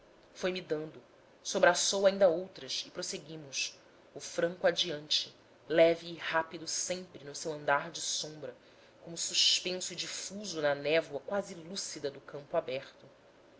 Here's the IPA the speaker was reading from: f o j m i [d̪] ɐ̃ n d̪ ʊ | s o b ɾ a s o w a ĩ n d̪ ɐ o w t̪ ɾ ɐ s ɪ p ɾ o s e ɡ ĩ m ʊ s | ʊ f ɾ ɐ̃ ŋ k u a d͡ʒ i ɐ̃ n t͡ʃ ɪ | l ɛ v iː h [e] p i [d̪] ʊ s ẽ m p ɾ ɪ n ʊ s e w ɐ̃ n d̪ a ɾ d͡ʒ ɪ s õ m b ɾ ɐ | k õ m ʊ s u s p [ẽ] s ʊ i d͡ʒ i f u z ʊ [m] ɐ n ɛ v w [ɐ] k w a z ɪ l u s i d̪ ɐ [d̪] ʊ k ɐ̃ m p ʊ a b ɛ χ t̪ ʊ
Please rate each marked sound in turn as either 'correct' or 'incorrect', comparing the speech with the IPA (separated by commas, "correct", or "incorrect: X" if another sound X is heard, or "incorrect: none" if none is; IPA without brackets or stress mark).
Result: correct, incorrect: a, correct, correct, incorrect: n, correct, correct